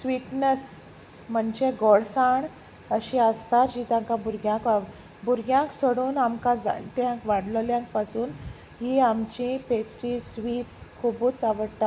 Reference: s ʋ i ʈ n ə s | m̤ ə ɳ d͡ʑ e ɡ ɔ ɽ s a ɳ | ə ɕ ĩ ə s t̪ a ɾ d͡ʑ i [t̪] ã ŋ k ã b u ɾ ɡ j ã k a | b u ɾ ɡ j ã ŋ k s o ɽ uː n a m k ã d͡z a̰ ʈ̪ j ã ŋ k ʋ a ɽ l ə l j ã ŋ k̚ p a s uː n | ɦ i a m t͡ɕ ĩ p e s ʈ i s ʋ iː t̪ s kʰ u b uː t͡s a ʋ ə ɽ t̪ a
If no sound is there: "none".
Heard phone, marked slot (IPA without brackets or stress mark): t̪